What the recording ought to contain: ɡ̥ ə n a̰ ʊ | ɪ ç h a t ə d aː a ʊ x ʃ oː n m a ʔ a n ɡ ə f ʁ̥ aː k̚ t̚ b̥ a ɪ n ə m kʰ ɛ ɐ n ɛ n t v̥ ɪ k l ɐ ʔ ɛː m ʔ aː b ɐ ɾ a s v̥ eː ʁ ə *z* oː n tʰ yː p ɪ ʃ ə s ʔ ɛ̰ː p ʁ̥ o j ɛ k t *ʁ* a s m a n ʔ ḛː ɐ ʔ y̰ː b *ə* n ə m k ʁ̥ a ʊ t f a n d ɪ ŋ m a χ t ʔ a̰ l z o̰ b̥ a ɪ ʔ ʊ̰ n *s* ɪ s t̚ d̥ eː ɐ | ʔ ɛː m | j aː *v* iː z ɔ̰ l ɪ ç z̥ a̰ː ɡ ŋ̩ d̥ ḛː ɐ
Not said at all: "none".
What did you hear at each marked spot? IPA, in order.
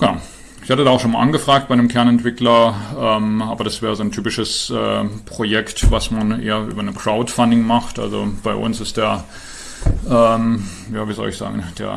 z, v, ɐ, s, v

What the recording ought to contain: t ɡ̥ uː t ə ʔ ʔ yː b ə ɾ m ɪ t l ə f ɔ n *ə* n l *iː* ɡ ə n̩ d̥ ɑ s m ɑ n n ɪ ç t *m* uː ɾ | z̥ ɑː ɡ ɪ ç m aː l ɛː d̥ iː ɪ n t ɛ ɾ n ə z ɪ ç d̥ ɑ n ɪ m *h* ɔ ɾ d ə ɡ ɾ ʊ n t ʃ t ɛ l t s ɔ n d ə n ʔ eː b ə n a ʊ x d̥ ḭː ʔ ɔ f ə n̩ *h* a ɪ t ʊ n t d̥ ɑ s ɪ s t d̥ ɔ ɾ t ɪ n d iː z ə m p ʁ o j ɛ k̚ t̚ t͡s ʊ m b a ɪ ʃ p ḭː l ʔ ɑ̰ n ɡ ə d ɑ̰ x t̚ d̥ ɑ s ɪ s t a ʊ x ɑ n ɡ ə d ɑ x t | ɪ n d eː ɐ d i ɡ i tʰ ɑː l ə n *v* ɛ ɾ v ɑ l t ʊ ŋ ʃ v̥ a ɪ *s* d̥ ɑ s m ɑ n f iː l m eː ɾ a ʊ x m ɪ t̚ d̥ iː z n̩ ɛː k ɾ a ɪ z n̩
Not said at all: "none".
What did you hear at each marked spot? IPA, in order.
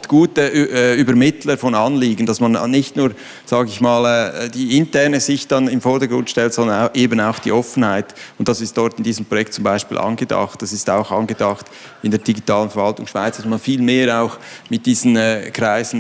ɑ, iː, n, f, h, f, t͡s

